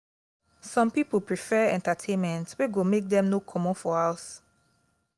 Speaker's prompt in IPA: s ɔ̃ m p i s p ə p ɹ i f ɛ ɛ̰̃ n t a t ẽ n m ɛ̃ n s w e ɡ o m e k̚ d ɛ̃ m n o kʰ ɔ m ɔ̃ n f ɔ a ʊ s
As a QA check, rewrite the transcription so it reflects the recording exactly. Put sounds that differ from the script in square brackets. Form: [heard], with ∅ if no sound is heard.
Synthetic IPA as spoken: s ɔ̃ m p i [∅] p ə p ɹ i f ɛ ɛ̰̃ n t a [tʰ] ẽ n m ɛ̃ n [t] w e ɡ o m e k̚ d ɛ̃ m n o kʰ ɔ m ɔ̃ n f ɔ a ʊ s